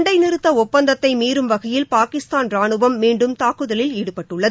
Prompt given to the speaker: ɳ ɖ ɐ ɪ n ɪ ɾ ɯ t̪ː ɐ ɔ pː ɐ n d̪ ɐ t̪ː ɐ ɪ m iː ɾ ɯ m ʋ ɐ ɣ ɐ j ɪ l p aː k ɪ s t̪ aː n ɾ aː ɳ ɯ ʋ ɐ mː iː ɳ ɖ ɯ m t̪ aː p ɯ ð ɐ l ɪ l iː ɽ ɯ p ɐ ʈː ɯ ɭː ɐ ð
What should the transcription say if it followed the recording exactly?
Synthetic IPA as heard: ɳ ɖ ɐ ɪ n ɪ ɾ ɯ t̪ː ɐ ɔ pː ɐ n d̪ ɐ t̪ː ɐ ɪ m iː ɾ ɯ m ʋ ɐ ɣ ɐ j ɪ l p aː k ɪ s t̪ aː n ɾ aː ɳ ɯ ʋ ɐ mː iː ɳ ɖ ɯ m t̪ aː k ɯ ð ɐ l ɪ l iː ɽ ɯ p ɐ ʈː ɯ ɭː ɐ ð